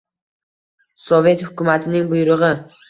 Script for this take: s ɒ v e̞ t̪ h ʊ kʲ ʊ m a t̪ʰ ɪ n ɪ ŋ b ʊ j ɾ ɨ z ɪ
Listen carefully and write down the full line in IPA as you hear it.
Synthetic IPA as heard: s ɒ v e̞ t̪ h ʊ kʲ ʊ m a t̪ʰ ɪ n ɪ ŋ b ʊ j ɾ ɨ ʁ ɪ